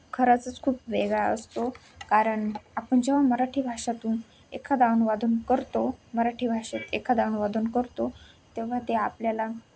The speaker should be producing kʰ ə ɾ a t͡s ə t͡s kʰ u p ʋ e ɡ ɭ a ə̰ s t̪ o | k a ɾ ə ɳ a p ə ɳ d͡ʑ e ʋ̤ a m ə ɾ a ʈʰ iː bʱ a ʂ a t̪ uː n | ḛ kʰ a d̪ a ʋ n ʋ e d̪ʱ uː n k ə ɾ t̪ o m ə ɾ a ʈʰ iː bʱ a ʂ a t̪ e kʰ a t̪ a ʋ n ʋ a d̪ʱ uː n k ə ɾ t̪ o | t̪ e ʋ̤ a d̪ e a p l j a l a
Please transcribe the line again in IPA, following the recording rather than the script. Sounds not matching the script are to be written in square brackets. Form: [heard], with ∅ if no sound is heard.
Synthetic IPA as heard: kʰ ə ɾ a t͡s ə t͡s kʰ [uː] p ʋ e ɡ ɭ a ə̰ s t̪ o | k a ɾ ə ɳ a p ə ɳ d͡ʑ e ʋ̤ a m ə ɾ a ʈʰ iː bʱ a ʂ a t̪ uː n | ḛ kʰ a d̪ a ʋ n ʋ [a] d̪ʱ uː n k ə ɾ t̪ o m ə ɾ a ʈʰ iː bʱ a ʂ [e] t̪ e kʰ a [d̪] a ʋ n ʋ a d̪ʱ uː n k ə ɾ t̪ o | t̪ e ʋ̤ a [t̪] e a p l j a l a